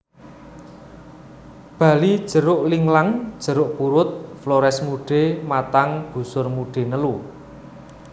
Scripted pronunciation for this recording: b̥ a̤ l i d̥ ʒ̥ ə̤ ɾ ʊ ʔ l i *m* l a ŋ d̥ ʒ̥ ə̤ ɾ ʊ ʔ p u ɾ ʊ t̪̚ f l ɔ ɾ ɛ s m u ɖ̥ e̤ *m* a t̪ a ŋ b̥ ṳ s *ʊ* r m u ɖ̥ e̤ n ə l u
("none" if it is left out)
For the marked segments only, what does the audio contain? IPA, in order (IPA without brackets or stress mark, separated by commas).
ŋ, m, ʊ